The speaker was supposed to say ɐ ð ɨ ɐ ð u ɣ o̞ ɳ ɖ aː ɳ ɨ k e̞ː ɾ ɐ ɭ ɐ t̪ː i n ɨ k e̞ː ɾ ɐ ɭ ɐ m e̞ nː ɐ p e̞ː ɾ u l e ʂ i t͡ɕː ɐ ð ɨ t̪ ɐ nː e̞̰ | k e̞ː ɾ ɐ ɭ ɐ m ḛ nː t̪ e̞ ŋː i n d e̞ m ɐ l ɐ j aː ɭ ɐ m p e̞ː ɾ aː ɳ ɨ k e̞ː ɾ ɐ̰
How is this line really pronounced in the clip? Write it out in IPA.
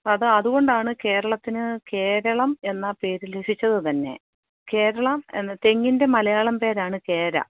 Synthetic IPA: ɐ ð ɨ ɐ ð u ɣ o̞ ɳ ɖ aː ɳ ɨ k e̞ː ɾ ɐ ɭ ɐ t̪ː i n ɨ k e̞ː ɾ ɐ ɭ ɐ m e̞ nː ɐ p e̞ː ɾ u l e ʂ i t͡ɕː ɐ ð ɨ t̪ ɐ nː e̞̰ | k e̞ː ɾ ɐ ɭ ɐ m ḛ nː t̪ e̞ ŋː i n d e̞ m ɐ l ɐ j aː ɭ ɐ m p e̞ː ɾ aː ɳ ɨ k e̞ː ɾ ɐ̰